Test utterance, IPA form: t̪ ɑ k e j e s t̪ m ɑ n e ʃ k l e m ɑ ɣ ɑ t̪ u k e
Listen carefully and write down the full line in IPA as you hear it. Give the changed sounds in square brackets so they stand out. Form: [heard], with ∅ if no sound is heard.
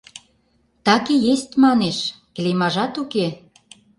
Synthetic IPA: t̪ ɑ k e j e s t̪ m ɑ n e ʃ k l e m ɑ [ʒ] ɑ t̪ u k e